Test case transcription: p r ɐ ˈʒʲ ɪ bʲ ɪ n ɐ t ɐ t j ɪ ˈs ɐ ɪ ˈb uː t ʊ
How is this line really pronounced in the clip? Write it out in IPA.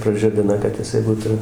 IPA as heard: p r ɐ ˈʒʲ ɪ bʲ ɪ n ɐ k ɐ t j ɪ ˈs ɐ ɪ ˈb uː t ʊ

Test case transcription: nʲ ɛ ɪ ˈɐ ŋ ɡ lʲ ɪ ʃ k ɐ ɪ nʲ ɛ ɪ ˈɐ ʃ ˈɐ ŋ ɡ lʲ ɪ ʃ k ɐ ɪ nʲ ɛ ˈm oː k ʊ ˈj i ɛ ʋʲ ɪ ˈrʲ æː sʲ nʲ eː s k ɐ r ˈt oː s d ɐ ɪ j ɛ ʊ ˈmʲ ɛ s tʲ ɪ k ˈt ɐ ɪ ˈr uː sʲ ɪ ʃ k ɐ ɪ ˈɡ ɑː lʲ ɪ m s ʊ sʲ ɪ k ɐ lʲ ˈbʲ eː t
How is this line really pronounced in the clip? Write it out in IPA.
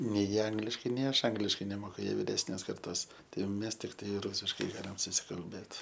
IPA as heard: nʲ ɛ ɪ ˈɐ ŋ ɡ lʲ ɪ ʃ k ɐ ɪ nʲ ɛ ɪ ˈɐ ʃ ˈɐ ŋ ɡ lʲ ɪ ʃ k ɐ ɪ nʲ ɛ ˈm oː k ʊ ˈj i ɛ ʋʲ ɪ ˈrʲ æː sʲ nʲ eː s k ɐ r ˈt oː s t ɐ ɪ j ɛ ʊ ˈmʲ ɛ s tʲ ɪ k ˈt ɐ ɪ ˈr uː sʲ ɪ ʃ k ɐ ɪ ˈɡ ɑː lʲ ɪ m s ʊ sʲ ɪ k ɐ lʲ ˈbʲ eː t

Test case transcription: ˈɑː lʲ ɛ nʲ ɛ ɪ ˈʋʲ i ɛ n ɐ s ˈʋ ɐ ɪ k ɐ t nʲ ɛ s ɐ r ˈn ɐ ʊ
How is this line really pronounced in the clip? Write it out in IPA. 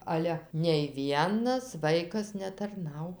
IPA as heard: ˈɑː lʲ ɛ nʲ ɛ ɪ ˈʋʲ i ɛ n ɐ s ˈʋ ɐ ɪ k ɐ s nʲ ɛ t ɐ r ˈn ɐ ʊ

